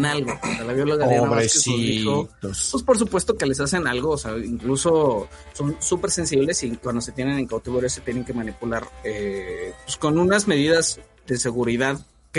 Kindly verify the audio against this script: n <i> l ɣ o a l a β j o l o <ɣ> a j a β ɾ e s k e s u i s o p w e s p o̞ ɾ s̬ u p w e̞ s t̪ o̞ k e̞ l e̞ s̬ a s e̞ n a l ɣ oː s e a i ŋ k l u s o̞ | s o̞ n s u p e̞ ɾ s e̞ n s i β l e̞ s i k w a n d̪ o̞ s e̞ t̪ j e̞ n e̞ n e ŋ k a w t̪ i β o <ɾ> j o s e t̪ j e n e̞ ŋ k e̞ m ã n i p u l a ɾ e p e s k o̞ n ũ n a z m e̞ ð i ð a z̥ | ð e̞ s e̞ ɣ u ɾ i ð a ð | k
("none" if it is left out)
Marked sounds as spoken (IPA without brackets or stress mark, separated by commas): a, ɣ, ɾ